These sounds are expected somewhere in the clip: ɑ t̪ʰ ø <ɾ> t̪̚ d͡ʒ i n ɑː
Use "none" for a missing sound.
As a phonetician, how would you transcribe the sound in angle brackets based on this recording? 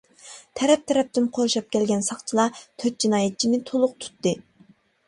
none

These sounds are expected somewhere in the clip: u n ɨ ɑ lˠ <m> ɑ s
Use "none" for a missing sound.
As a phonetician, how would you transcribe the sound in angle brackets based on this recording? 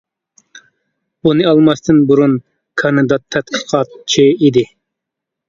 m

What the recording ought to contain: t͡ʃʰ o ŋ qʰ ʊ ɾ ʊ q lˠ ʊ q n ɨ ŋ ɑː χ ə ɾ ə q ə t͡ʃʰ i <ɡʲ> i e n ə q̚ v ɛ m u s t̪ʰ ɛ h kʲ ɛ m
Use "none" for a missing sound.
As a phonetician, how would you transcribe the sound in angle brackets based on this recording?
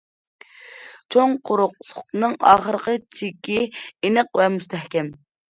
kʲ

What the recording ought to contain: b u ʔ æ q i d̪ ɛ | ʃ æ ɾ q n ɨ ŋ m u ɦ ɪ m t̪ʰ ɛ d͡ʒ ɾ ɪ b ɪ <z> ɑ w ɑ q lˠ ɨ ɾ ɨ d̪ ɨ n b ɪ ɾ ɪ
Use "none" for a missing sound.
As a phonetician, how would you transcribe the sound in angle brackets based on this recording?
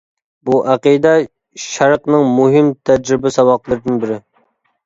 s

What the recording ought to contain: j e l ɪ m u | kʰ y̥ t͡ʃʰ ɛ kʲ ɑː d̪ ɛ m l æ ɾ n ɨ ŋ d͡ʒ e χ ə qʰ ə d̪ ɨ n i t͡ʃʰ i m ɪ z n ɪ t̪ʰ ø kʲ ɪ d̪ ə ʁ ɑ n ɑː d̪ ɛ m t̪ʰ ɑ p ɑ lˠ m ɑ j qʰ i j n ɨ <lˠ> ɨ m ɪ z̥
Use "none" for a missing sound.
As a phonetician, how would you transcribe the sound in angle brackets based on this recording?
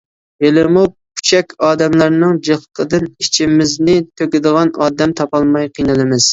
lˠ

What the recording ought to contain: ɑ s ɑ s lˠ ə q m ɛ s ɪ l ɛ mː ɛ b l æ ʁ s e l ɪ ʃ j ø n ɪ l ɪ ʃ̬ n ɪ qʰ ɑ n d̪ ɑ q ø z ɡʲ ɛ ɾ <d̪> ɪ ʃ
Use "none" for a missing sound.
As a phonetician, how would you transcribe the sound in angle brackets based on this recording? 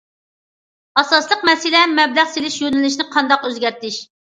t̪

